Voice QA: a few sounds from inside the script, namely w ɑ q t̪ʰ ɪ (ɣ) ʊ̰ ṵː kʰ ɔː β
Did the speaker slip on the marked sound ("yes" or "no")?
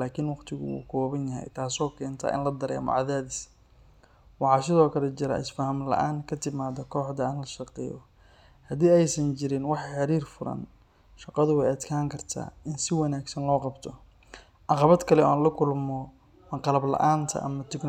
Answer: no